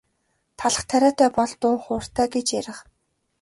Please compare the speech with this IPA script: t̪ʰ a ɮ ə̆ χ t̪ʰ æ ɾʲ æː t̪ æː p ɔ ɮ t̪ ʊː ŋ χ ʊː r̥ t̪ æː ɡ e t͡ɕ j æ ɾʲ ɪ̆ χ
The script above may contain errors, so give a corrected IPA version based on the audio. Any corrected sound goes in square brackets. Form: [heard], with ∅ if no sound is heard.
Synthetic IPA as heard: t̪ʰ a ɮ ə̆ χ t̪ʰ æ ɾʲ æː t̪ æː p ɔ ɮ t̪ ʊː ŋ χ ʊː r̥ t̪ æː ɡ e t͡ɕ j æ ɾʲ ɪ̆ χ